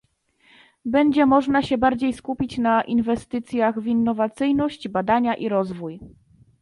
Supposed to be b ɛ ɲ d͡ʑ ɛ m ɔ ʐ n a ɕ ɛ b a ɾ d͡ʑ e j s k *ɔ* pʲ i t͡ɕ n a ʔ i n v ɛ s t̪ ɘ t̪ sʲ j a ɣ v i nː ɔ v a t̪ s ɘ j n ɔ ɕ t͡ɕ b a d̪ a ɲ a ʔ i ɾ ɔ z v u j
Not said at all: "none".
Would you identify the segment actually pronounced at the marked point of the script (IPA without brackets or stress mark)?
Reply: u